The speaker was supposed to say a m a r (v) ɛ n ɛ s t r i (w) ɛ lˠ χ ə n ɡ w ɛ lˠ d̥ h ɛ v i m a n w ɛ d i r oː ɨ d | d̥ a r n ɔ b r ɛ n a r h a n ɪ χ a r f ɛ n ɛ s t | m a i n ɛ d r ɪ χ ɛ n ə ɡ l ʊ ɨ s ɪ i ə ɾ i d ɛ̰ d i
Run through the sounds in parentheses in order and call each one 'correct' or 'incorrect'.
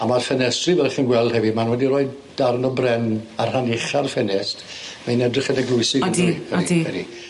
incorrect: f, incorrect: v

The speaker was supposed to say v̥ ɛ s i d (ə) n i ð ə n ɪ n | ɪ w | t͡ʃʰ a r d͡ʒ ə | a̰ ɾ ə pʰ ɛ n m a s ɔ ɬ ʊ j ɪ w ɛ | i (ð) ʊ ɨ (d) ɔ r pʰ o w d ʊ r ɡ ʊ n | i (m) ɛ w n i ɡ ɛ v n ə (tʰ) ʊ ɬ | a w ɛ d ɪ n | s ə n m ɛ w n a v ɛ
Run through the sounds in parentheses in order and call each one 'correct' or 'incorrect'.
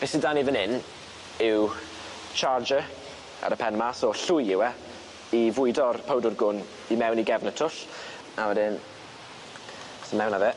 incorrect: a, incorrect: v, correct, correct, correct

